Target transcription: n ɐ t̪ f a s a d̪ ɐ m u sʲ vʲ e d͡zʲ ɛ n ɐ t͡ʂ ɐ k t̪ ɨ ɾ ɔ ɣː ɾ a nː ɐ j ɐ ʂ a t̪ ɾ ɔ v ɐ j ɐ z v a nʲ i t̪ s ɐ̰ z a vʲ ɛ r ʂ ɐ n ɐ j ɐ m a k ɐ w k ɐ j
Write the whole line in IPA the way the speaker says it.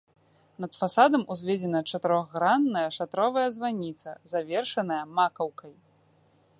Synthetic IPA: n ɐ t̪ f a s a d̪ ɐ m u zʲ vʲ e d͡zʲ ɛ n ɐ t͡ʂ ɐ t̪ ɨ ɾ ɔ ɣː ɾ a nː ɐ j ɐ ʂ a t̪ ɾ ɔ v ɐ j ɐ z v a nʲ i t̪ s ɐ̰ z a vʲ ɛ r ʂ ɐ n ɐ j ɐ m a k ɐ w k ɐ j